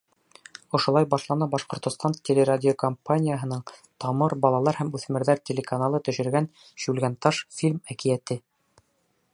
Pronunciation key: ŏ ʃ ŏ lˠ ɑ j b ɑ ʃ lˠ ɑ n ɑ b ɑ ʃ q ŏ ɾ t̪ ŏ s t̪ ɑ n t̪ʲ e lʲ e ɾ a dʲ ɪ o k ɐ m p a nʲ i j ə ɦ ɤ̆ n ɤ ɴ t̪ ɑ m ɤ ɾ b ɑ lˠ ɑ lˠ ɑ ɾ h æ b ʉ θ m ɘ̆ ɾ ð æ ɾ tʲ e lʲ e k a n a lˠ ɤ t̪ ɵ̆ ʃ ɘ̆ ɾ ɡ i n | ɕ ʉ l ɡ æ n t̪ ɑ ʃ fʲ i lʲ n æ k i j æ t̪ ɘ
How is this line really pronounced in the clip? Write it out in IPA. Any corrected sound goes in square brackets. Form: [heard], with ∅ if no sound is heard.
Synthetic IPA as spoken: ŏ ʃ ŏ lˠ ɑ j b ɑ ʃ lˠ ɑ n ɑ b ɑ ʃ q ŏ ɾ t̪ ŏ s t̪ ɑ n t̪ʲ e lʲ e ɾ a dʲ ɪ o k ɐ m p a nʲ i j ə ɦ ɤ̆ n ɤ ɴ t̪ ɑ m ɤ ɾ b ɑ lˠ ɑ lˠ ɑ ɾ h æ [m] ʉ θ m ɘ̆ ɾ ð æ ɾ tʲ e lʲ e k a n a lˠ ɤ t̪ ɵ̆ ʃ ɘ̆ ɾ ɡ [æ] n | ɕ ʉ l ɡ æ n t̪ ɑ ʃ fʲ i lʲ [m] æ k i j æ t̪ ɘ